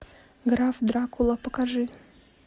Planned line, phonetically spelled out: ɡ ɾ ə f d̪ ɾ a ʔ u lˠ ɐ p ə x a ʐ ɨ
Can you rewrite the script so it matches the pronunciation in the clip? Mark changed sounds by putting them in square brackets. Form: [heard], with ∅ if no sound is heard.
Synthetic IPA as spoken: ɡ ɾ [a] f d̪ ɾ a [k] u lˠ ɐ p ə [k] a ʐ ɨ

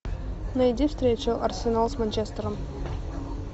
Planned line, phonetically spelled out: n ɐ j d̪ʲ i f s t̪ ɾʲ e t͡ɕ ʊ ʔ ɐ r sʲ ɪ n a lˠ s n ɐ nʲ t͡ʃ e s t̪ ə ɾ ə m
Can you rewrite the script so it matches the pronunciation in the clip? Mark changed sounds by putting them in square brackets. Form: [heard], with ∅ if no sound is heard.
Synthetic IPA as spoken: n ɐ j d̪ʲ i f s t̪ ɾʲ e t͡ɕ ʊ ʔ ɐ r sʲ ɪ n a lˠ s [m] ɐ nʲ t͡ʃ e s t̪ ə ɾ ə m

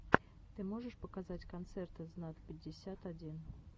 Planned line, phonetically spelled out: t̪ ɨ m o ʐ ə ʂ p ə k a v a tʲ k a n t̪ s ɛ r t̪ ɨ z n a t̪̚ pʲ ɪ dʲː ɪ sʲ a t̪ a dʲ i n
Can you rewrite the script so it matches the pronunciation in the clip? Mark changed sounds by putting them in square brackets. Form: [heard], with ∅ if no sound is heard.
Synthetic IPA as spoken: t̪ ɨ m o ʐ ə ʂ p ə k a [z] a tʲ k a n t̪ s ɛ r t̪ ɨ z n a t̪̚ pʲ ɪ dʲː ɪ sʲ a t̪ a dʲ i n

